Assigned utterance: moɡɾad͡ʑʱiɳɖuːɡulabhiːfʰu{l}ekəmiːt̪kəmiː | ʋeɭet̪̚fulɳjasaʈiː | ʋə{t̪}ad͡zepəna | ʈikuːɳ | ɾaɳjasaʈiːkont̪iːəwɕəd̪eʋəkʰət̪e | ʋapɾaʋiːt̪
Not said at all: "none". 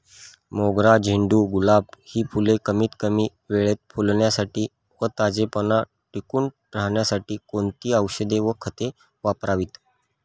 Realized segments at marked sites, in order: l, t̪

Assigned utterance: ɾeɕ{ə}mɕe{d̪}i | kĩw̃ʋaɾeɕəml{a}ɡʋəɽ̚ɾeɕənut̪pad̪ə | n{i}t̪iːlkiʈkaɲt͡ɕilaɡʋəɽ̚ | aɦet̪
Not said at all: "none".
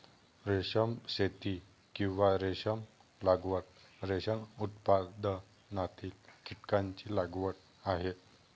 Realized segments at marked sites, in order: ə, t̪, a, a

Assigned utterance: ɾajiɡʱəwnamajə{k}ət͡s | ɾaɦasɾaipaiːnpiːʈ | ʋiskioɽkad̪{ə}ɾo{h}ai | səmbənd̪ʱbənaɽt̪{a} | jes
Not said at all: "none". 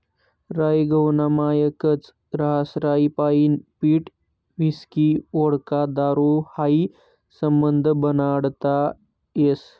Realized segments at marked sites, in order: k, a, h, a

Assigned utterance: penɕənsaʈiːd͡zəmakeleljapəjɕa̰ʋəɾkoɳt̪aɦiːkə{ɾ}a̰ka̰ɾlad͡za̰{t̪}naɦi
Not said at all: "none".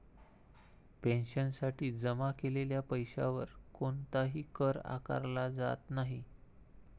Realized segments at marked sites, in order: ɾ, t̪

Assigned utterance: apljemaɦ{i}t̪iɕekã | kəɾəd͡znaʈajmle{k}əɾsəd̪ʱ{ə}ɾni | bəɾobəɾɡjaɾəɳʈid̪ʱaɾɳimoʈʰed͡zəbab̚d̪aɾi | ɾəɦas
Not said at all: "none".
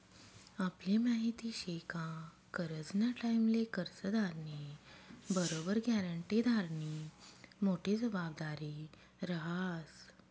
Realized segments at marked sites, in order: i, k, a

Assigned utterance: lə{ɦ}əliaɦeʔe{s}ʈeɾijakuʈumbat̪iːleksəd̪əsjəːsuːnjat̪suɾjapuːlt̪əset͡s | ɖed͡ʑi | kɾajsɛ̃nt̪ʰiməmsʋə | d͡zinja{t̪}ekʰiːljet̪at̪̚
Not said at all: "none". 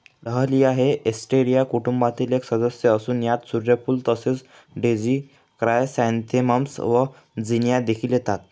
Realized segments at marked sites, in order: ɦ, s, d̪

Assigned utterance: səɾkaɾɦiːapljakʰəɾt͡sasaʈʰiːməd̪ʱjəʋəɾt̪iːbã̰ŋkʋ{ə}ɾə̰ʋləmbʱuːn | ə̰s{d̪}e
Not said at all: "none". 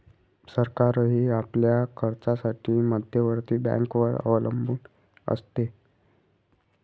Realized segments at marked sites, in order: ə, t̪

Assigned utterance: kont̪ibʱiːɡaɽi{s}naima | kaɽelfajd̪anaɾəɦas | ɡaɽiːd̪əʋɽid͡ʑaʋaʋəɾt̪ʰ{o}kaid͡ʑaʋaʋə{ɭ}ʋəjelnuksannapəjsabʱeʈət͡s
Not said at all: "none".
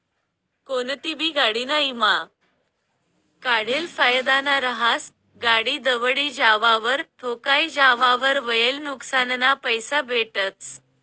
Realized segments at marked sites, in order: none, o, ɾ

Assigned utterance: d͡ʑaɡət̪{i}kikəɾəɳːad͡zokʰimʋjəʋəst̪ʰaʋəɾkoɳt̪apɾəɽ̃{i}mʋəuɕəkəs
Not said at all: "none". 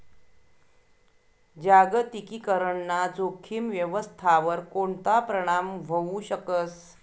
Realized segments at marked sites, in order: i, a

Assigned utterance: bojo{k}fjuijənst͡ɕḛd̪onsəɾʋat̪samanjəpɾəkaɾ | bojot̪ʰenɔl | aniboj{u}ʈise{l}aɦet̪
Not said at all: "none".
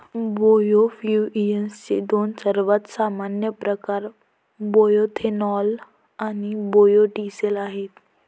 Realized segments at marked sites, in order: none, o, l

